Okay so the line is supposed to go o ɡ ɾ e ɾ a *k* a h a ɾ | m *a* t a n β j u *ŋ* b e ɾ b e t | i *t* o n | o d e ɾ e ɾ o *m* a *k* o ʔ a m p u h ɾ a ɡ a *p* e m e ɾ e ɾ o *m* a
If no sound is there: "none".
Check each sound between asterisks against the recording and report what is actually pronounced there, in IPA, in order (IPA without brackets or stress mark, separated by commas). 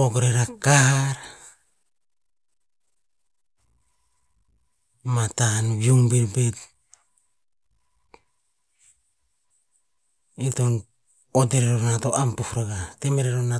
k, a, ŋ, t, n, t, t, n